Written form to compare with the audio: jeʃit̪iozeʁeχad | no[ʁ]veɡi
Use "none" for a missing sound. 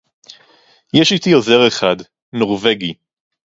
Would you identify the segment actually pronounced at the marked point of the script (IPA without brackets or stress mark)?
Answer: ʁ